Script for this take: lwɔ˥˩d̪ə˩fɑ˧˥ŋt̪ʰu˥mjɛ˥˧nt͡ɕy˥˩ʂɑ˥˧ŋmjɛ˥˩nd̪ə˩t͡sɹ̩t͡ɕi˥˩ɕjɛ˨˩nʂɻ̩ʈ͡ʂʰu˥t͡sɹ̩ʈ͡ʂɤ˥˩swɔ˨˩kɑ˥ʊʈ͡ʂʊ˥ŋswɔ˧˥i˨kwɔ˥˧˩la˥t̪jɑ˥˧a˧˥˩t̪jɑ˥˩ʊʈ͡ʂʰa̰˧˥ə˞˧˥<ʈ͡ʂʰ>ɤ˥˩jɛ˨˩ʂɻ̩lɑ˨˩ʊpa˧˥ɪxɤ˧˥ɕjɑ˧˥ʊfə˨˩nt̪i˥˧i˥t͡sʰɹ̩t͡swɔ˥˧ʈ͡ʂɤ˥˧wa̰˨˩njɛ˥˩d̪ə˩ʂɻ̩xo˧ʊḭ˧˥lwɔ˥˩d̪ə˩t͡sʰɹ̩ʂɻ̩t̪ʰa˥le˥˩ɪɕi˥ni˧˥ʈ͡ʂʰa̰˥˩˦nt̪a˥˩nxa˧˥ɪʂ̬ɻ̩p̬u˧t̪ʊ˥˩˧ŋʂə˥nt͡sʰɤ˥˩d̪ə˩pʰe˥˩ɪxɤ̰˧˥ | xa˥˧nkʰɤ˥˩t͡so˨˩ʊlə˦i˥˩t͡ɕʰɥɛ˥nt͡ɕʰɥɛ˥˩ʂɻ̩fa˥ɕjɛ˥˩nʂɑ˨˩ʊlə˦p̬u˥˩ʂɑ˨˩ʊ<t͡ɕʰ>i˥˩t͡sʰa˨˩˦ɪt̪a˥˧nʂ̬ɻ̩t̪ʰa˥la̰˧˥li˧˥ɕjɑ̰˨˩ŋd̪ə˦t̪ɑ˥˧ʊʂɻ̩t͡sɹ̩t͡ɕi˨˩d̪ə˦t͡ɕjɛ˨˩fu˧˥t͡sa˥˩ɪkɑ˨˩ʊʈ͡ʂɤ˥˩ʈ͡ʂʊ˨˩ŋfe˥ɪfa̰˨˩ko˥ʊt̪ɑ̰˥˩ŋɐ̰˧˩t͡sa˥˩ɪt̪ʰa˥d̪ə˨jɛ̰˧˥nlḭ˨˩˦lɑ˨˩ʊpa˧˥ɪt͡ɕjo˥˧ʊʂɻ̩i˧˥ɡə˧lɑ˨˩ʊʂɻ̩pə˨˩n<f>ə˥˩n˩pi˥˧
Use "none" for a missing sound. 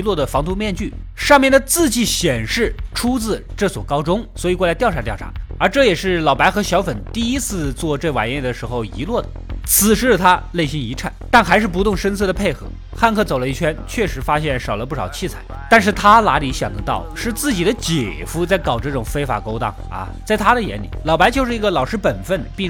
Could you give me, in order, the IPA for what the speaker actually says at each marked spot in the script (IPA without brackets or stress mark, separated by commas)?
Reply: ʈ͡ʂ, t͡ɕʰ, f